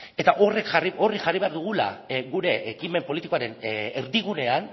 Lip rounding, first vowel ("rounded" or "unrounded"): unrounded